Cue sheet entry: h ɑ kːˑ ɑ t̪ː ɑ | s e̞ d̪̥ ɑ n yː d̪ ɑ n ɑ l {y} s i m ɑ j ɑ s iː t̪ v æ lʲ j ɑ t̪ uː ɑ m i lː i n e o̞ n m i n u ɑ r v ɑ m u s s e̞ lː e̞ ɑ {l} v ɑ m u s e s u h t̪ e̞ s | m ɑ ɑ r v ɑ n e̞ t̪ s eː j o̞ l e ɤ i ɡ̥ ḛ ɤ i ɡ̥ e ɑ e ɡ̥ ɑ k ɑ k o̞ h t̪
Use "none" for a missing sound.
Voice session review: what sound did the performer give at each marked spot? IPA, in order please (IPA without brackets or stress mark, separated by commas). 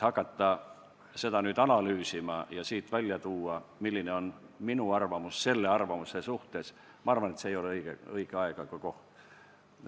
yː, r